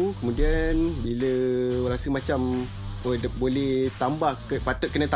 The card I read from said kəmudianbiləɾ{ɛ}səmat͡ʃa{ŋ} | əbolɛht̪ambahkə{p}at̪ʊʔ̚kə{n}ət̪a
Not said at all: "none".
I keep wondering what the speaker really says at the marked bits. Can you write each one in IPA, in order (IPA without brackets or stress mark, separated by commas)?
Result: a, m, p, n